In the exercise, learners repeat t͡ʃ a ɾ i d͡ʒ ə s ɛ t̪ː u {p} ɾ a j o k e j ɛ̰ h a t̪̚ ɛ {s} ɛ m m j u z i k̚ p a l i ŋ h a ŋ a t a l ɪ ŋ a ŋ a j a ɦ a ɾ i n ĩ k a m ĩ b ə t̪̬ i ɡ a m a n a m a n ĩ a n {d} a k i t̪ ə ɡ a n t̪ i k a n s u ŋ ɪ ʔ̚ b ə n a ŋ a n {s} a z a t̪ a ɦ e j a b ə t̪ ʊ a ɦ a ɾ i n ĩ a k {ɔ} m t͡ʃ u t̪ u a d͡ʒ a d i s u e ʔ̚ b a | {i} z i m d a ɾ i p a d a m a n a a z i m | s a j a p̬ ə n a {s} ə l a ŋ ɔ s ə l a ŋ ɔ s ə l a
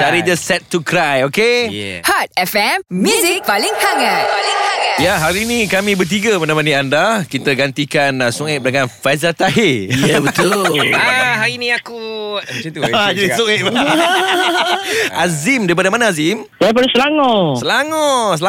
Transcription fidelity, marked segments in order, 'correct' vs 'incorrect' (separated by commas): incorrect, incorrect, correct, incorrect, incorrect, incorrect, correct